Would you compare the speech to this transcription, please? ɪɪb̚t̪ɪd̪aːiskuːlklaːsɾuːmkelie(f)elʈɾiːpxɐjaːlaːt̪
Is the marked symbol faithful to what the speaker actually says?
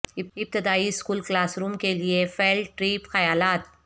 yes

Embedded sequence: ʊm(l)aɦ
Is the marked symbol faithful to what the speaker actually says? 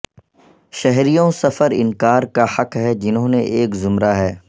no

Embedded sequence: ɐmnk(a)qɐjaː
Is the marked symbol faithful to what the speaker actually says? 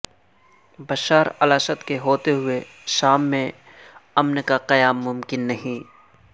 yes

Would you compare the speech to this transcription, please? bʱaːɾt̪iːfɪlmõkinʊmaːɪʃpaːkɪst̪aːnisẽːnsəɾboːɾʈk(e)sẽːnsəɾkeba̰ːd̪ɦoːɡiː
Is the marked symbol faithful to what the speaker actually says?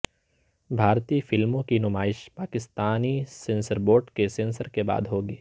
yes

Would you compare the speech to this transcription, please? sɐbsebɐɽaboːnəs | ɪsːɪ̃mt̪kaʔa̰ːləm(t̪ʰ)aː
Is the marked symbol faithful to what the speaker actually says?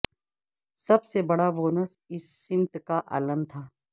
yes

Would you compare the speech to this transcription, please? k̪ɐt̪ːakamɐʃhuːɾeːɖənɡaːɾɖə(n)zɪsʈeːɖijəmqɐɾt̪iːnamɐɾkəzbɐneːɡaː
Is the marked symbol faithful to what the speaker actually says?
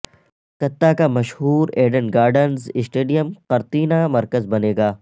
yes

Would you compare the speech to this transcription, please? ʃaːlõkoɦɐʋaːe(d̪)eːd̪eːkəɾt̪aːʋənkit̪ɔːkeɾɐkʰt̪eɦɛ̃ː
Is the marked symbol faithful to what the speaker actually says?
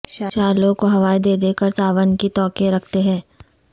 yes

